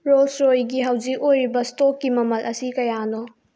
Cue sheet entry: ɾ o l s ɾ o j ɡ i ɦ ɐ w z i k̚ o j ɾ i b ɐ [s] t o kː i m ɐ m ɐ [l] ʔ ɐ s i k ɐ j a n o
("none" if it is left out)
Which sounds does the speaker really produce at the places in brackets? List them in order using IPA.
s, l

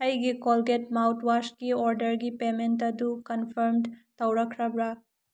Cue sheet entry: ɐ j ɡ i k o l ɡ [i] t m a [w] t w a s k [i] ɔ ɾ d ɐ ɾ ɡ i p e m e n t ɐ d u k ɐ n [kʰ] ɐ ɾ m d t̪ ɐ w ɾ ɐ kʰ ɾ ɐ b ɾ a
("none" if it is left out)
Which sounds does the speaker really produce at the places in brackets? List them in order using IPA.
e, w, i, pʰ

